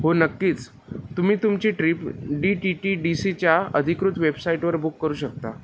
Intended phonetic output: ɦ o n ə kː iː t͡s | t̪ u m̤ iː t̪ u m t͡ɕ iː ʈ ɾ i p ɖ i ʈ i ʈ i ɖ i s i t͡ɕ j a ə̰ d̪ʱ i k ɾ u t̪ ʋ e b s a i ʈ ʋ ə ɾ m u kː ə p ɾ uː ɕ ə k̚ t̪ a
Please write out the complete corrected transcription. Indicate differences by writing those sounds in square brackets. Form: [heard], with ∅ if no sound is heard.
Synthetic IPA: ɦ o n ə kː iː t͡s | t̪ u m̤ iː t̪ u m t͡ɕ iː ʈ ɾ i p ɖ i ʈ i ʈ i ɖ i s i t͡ɕ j a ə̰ d̪ʱ i k ɾ u t̪ ʋ e b s a i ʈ ʋ ə ɾ [b] u kː ə [∅] ɾ uː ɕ ə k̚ t̪ a